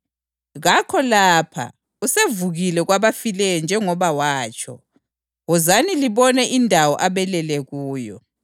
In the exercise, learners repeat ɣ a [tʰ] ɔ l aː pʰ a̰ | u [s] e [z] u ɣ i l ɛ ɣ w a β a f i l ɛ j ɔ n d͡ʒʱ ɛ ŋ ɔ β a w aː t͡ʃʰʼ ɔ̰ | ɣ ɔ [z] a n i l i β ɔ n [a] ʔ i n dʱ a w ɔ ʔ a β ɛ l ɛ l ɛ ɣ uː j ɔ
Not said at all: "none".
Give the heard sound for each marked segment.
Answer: kʰ, s, v, z, ɛ

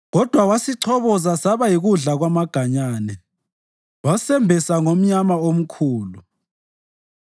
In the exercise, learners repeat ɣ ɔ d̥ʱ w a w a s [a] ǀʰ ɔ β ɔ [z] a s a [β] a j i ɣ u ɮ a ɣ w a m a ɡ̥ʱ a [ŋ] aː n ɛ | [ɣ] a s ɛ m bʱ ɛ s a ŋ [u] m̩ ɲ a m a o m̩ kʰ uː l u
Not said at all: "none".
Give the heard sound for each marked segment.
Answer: i, z, β, ɲ, w, o

